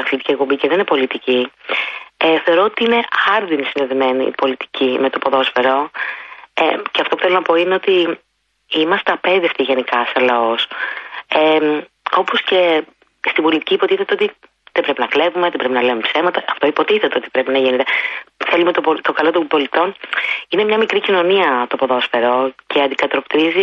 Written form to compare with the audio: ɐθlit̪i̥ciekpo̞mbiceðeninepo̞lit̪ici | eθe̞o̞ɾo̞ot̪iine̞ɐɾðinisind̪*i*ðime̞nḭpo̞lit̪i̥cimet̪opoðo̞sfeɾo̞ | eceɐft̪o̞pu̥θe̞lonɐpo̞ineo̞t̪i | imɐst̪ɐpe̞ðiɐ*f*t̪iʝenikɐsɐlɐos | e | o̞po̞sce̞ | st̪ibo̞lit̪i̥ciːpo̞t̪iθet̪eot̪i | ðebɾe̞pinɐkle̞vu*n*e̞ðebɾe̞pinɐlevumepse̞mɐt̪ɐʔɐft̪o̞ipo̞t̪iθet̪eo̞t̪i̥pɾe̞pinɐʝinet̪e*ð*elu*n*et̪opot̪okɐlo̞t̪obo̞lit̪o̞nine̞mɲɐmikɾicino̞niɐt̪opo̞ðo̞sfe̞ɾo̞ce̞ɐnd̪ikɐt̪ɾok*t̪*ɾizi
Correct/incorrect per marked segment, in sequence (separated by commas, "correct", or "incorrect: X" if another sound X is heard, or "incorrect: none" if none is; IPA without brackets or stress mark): incorrect: e, correct, incorrect: m, incorrect: θ, incorrect: m, correct